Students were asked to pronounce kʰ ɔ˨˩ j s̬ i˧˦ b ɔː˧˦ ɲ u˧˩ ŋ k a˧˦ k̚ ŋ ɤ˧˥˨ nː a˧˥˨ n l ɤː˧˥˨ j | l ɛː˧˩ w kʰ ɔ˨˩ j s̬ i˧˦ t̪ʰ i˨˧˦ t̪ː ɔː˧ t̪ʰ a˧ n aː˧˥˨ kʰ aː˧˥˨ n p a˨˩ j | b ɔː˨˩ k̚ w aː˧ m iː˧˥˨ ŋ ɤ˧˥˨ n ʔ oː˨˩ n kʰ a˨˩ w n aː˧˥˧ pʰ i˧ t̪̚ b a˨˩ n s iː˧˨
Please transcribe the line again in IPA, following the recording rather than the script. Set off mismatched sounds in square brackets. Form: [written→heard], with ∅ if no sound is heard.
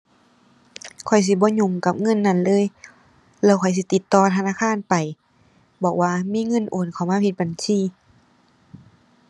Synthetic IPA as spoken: kʰ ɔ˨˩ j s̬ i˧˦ b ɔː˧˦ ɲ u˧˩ ŋ k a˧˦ [k̚→p̚] ŋ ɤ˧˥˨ nː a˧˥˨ n l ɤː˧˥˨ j | l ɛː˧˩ w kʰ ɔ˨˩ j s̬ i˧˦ [t̪ʰ→t̪] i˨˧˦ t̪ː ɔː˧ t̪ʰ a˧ n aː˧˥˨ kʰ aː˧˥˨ n p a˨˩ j | b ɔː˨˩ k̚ w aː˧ m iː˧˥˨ ŋ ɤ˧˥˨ n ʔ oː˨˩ n kʰ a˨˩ w [n→m] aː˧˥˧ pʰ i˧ t̪̚ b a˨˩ n s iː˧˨

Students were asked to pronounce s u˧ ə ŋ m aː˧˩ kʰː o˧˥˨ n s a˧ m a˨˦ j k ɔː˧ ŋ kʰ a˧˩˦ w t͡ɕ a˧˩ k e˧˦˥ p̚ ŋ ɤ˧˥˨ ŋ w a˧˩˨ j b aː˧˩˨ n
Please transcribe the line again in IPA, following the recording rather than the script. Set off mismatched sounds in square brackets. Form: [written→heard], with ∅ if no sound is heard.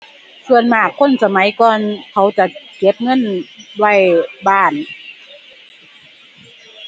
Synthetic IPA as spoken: s u˧ ə [ŋ→n] m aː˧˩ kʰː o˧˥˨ n s a˧ m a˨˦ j k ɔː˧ [ŋ→n] kʰ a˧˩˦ w t͡ɕ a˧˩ k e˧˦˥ p̚ ŋ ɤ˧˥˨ [ŋ→n] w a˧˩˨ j b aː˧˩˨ n

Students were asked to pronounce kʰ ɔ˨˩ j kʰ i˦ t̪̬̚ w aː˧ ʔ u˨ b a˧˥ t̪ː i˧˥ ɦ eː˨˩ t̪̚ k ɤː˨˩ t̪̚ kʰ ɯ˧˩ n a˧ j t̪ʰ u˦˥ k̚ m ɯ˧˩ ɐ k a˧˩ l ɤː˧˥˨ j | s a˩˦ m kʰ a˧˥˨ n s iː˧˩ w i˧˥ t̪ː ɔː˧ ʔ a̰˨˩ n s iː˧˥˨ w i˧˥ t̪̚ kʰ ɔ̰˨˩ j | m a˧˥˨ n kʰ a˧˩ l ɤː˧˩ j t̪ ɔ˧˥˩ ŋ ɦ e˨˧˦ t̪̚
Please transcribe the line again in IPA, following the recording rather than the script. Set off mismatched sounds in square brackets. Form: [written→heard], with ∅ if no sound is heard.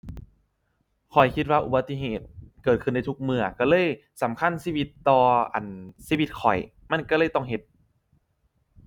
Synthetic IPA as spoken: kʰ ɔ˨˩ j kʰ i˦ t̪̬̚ w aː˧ ʔ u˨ b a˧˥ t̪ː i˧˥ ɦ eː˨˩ t̪̚ k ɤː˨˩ t̪̚ kʰ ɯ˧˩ n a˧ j t̪ʰ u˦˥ k̚ m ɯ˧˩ ɐ k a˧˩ l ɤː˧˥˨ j | s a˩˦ m kʰ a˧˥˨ n s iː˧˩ w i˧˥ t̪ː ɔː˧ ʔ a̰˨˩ n s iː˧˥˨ w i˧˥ t̪̚ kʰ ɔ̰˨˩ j | m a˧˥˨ n [kʰ→k] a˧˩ l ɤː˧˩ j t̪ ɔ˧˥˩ ŋ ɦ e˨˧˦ t̪̚

